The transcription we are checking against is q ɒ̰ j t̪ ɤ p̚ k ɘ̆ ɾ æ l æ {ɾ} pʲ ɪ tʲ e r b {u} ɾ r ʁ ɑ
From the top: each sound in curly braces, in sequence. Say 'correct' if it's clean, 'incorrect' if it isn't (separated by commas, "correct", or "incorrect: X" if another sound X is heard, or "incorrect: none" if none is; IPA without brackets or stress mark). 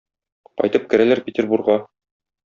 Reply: correct, correct